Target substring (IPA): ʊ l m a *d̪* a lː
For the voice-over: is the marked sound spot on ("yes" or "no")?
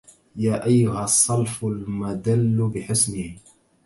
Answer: yes